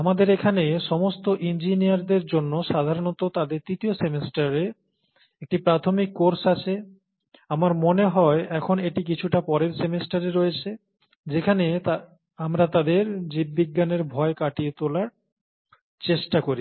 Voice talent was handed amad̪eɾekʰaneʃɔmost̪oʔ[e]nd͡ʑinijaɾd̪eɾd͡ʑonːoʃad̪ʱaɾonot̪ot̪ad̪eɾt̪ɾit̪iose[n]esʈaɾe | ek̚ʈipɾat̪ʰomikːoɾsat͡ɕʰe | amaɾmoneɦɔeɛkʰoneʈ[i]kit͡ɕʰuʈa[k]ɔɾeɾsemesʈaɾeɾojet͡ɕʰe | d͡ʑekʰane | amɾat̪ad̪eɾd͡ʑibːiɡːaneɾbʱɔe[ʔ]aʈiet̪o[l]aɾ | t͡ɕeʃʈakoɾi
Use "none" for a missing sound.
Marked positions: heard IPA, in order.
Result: i, m, i, p, k, l

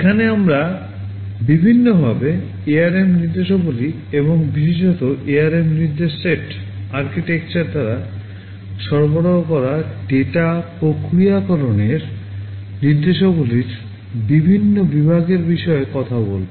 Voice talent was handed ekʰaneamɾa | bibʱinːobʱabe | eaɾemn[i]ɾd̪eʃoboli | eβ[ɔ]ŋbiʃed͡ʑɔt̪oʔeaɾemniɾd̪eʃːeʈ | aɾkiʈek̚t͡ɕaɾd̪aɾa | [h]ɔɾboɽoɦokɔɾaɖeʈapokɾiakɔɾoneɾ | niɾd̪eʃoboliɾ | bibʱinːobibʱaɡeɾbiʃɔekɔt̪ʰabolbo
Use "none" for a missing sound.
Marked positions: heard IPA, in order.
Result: i, o, ʃ

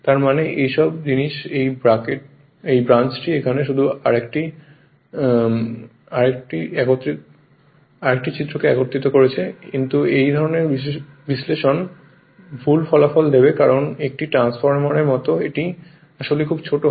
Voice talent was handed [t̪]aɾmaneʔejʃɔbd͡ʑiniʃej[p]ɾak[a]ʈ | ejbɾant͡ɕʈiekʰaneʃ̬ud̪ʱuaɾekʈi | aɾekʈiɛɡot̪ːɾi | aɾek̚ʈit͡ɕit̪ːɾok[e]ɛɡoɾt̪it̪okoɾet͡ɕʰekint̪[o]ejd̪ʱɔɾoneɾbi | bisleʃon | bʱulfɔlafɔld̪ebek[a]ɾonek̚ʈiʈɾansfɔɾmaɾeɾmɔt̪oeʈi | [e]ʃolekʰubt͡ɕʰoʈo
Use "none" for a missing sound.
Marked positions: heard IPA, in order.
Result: t̪, b, e, e, u, a, a

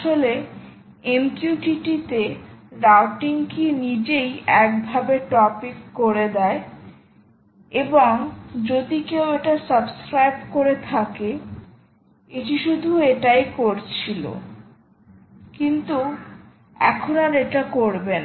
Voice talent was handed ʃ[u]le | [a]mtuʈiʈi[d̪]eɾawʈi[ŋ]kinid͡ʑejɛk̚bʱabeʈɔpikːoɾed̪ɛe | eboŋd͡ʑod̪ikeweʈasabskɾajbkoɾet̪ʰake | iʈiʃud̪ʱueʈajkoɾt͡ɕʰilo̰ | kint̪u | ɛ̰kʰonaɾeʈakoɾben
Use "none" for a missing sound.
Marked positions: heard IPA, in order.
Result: o, e, t̪, ŋ

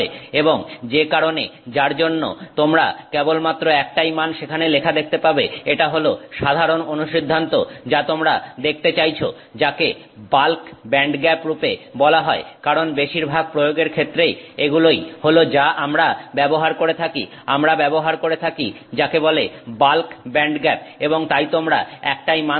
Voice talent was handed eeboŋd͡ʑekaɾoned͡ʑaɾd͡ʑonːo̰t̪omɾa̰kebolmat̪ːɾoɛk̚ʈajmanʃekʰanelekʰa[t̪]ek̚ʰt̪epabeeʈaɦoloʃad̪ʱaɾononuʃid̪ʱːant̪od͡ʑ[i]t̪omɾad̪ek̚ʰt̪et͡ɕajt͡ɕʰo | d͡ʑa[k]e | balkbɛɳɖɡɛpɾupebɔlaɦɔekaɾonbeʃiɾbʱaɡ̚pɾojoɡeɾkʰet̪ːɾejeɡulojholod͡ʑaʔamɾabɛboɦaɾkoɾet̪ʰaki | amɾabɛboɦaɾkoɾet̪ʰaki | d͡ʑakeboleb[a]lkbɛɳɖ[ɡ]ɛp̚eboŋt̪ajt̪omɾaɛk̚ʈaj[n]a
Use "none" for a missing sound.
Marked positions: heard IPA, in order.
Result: d̪, a, k, a, ɡ, m

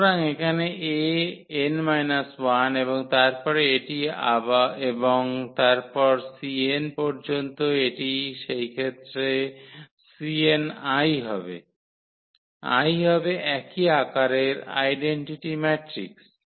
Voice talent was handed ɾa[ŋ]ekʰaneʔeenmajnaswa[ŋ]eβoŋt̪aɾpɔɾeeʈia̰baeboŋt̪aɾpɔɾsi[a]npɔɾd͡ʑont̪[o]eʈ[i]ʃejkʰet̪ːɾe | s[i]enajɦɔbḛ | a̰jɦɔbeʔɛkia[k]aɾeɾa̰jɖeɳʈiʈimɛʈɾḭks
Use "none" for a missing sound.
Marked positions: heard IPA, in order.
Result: ŋ, n, e, o, i, i, k

